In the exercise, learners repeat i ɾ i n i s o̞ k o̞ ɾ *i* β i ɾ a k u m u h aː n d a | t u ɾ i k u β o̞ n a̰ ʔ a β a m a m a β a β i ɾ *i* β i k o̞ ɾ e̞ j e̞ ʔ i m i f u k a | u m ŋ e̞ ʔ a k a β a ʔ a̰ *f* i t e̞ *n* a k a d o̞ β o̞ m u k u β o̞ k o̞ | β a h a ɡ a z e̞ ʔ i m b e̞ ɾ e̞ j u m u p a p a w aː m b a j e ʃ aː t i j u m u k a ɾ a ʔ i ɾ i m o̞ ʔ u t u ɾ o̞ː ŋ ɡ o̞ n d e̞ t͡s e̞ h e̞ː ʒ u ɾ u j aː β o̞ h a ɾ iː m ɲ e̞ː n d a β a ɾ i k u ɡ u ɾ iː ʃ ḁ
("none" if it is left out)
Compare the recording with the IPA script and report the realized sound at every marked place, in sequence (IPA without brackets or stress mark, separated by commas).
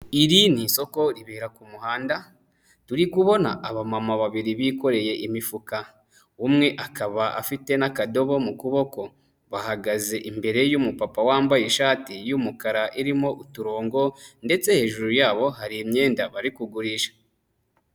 i, i, f, n